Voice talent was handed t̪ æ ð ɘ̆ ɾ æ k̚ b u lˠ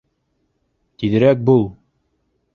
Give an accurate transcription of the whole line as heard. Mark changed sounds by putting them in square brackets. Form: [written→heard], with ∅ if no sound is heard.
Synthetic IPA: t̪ [æ→i] ð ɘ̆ ɾ æ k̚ b u lˠ

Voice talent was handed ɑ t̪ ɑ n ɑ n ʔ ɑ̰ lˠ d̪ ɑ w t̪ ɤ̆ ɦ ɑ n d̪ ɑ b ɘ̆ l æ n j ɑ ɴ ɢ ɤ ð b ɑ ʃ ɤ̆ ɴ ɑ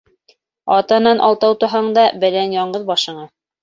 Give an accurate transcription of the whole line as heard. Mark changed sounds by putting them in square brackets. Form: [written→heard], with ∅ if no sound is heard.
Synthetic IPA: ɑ t̪ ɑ n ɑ n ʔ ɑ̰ lˠ [d̪→t̪] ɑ w t̪ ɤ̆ ɦ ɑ [n→ɴ] d̪ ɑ b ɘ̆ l æ n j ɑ ɴ ɢ ɤ ð b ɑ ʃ ɤ̆ ɴ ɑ

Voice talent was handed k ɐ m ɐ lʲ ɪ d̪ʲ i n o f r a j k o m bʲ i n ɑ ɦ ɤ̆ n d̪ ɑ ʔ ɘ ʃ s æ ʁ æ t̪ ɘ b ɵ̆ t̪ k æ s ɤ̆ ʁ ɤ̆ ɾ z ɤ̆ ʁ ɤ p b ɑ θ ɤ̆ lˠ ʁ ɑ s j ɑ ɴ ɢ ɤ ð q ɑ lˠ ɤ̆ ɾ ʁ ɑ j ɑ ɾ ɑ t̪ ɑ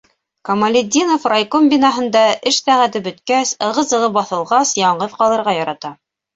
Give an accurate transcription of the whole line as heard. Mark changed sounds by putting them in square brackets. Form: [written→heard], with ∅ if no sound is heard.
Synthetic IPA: k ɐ m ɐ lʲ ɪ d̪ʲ i n o f r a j k o m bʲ i n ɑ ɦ ɤ̆ n d̪ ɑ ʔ ɘ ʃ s æ ʁ æ t̪ ɘ b ɵ̆ t̪ k æ s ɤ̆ ʁ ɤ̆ [ɾ→∅] z ɤ̆ ʁ ɤ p b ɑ θ ɤ̆ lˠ ʁ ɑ s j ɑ ɴ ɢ ɤ ð q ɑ lˠ ɤ̆ ɾ ʁ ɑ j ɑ ɾ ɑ t̪ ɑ

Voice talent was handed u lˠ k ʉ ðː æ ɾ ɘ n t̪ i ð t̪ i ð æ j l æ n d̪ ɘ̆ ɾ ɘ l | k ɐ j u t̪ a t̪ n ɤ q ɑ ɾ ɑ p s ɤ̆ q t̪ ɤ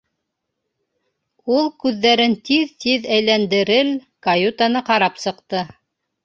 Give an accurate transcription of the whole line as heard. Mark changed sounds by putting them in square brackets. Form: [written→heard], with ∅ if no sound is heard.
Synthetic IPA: u lˠ k ʉ ðː æ ɾ ɘ n t̪ i ð t̪ i ð æ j l æ n d̪ ɘ̆ ɾ ɘ l | k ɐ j u t̪ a [t̪→∅] n ɤ q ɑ ɾ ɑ p s ɤ̆ q t̪ ɤ

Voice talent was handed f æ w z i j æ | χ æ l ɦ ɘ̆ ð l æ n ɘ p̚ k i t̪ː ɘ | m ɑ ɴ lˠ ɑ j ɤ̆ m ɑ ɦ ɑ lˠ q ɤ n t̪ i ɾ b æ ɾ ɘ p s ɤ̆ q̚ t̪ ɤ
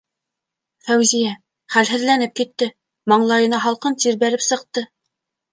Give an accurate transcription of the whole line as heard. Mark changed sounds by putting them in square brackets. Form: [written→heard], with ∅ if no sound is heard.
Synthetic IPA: f æ w z i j æ | χ æ l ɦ ɘ̆ ð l æ n ɘ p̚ k i t̪ː ɘ | m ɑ ɴ lˠ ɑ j ɤ̆ [m→n] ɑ ɦ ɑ lˠ q ɤ n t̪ i ɾ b æ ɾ ɘ p s ɤ̆ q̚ t̪ ɤ

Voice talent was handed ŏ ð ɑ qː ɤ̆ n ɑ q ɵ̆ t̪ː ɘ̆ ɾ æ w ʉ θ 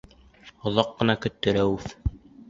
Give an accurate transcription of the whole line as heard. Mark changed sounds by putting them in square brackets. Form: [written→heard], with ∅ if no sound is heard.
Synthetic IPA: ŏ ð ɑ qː ɤ̆ n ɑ [q→k] ɵ̆ t̪ː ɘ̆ ɾ æ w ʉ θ

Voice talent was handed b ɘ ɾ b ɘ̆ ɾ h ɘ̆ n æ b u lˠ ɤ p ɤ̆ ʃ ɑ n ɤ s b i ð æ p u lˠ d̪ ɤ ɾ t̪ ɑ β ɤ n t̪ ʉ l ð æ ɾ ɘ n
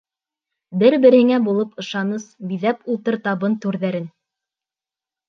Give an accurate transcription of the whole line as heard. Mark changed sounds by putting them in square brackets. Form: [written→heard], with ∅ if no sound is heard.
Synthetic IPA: b ɘ ɾ b ɘ̆ ɾ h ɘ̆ [n→ŋ] æ b u lˠ ɤ p ɤ̆ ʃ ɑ n ɤ s b i ð æ p u lˠ [d̪→t̪] ɤ ɾ t̪ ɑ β ɤ n t̪ ʉ [l→ɾ] ð æ ɾ ɘ n

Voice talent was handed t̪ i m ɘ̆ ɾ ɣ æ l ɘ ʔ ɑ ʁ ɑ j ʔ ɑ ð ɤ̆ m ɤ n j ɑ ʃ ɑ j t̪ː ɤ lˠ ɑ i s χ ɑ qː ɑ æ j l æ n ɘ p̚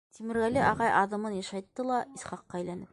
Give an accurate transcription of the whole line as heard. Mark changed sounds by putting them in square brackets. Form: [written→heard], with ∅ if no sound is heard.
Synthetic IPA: t̪ i m ɘ̆ ɾ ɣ æ l ɘ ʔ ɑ ʁ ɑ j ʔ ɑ ð ɤ̆ m ɤ n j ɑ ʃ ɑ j t̪ː ɤ lˠ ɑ i s χ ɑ qː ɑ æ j l æ n ɘ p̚

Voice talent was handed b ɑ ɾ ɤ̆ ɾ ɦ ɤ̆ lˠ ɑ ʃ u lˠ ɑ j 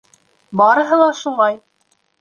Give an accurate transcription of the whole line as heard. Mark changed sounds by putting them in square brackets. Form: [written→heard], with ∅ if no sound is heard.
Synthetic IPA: b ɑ ɾ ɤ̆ [ɾ→∅] ɦ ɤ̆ lˠ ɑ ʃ u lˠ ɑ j

